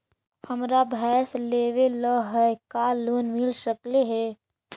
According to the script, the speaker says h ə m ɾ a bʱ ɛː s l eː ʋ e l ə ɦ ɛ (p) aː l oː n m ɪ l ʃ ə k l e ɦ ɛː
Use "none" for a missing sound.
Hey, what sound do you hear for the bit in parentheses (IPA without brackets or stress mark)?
k